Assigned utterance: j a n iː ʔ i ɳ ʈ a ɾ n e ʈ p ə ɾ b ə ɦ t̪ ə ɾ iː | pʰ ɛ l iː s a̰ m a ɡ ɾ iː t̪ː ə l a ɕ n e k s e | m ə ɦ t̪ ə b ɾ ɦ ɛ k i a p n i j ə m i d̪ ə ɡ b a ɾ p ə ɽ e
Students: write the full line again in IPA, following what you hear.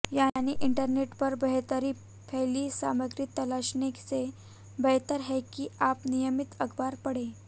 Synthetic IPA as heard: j a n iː ʔ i ɳ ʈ ə ɾ n e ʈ p ə ɾ b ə ɦ t̪ ə ɾ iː | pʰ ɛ l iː s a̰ m ə ɡ ɾ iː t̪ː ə l a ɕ n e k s e | b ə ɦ t̪ ə ɾ ɦ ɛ k i a p n i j ə m i t̪ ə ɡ b a ɾ p ə ɽ e